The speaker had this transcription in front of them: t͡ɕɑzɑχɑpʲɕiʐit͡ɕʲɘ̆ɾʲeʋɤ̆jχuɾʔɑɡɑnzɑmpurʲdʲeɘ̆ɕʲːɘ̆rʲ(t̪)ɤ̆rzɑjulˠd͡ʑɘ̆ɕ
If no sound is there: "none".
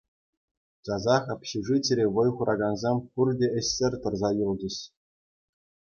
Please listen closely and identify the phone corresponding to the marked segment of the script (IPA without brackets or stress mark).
t̪